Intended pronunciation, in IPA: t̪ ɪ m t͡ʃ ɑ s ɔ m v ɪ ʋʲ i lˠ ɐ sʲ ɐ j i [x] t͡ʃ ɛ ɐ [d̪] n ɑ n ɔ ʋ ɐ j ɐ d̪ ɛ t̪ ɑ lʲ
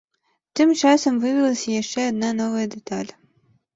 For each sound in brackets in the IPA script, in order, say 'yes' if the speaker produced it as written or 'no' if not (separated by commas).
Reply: no, yes